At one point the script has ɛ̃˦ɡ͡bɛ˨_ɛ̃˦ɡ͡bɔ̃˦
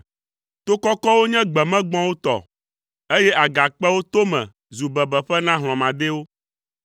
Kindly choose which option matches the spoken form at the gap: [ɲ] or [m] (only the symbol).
m